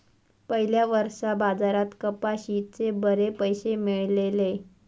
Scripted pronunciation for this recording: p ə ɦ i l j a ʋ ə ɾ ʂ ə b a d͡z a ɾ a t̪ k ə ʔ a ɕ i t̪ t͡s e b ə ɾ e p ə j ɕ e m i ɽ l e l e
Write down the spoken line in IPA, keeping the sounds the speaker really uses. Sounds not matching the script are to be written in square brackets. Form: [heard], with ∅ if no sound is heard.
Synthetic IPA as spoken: p ə ɦ i l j a ʋ ə ɾ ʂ [a] b a d͡z a ɾ a t̪ k ə [p] a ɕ i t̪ t͡s e b ə ɾ e p ə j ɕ e m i [ɭ] l e l e